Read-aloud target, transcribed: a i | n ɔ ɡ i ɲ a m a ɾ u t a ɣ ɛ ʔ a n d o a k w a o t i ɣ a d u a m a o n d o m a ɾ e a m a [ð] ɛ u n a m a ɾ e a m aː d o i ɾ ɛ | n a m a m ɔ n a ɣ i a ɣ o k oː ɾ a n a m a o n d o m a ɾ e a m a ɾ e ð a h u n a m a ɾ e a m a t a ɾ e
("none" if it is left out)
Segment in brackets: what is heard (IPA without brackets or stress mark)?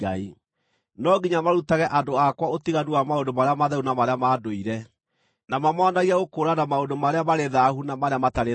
ð